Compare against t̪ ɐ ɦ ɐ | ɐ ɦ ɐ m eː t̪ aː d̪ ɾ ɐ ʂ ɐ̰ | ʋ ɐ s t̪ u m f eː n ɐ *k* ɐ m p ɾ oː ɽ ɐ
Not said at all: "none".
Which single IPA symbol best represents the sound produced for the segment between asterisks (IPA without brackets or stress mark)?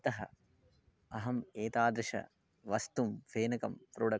k